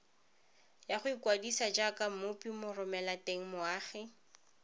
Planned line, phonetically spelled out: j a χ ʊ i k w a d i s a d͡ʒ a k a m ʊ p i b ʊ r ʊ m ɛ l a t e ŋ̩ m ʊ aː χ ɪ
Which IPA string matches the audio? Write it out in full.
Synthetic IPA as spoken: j a χ ʊ i k w a d i s a d͡ʒ a k a m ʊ p i m ʊ r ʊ m ɛ l a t e ŋ̩ m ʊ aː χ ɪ